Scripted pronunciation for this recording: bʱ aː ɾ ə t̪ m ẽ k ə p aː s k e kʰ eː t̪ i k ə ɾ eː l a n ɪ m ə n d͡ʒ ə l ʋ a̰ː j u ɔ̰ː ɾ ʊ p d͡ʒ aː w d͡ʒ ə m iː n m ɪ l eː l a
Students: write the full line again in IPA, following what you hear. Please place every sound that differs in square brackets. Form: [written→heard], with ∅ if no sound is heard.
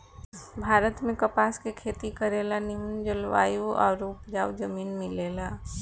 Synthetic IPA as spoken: bʱ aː ɾ ə t̪ m ẽ k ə p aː s k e kʰ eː t̪ i k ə ɾ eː l a n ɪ m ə n d͡ʒ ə l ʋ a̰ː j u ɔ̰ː ɾ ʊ p d͡ʒ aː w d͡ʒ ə m iː n m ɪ l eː l a